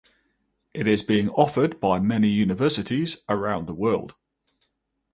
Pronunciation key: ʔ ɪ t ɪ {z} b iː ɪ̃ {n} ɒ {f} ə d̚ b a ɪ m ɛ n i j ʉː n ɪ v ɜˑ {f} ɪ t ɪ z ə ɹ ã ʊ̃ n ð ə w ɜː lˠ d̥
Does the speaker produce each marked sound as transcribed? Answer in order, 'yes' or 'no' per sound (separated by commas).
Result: yes, no, yes, no